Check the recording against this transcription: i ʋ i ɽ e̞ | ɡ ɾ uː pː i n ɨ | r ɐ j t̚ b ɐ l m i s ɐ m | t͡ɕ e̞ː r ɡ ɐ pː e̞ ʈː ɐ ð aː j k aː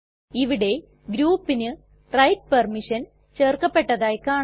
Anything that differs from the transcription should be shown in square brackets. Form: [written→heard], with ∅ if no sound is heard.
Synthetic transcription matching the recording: i ʋ i ɽ e̞ | ɡ ɾ uː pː i n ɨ | r ɐ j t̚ [b→p] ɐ [l→r] m i [s→ʂ] ɐ [m→n] | t͡ɕ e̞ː r [ɡ→k] ɐ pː e̞ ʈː ɐ ð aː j k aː